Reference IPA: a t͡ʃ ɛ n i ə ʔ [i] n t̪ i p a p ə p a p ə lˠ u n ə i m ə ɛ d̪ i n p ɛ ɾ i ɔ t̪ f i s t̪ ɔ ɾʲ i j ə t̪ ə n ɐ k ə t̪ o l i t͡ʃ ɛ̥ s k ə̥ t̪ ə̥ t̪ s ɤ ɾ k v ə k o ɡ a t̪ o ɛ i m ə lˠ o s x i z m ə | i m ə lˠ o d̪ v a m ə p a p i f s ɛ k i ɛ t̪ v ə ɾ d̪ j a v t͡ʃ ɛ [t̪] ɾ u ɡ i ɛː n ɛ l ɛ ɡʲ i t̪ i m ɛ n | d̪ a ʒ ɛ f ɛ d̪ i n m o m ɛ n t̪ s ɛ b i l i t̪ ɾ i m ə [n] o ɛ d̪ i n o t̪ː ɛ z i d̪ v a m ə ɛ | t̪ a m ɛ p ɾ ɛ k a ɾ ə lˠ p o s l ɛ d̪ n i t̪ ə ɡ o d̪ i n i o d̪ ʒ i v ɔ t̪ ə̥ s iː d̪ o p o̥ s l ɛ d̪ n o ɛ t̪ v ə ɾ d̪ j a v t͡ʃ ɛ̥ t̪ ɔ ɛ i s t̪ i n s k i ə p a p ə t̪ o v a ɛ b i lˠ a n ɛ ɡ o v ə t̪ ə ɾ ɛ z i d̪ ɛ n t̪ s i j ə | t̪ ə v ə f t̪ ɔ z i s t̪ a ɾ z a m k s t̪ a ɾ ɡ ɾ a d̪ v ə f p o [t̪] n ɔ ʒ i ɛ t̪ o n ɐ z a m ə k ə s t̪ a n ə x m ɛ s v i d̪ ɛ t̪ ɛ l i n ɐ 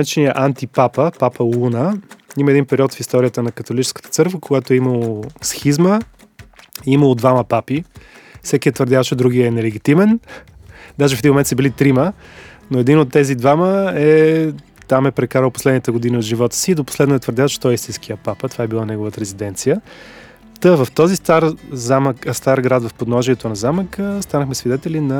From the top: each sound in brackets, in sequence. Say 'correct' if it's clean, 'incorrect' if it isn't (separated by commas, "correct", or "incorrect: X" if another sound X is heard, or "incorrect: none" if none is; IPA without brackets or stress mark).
incorrect: a, incorrect: d̪, correct, incorrect: d̪